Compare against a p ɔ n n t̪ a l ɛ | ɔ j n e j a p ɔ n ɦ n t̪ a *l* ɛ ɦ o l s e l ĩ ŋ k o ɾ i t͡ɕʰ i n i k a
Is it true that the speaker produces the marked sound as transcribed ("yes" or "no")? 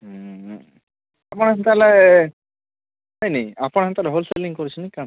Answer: yes